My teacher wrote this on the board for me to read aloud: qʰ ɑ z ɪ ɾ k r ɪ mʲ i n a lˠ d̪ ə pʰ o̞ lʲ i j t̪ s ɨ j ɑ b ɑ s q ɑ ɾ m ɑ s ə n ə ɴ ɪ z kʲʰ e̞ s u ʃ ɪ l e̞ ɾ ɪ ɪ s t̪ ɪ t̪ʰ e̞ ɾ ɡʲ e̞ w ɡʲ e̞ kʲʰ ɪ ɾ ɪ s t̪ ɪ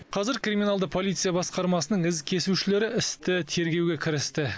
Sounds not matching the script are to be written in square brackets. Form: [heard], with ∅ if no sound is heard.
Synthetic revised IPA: qʰ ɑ z ɪ ɾ k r [i] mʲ i n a lˠ d̪ ə pʰ o̞ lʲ i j t̪ s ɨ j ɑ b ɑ s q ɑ ɾ m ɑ s ə n ə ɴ ɪ z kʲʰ e̞ s u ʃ ɪ l e̞ ɾ ɪ ɪ s t̪ ɪ t̪ʰ e̞ ɾ ɡʲ e̞ w ɡʲ e̞ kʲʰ ɪ ɾ ɪ s t̪ ɪ